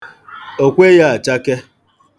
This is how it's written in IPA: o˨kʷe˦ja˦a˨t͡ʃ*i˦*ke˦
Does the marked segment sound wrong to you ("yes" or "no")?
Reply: yes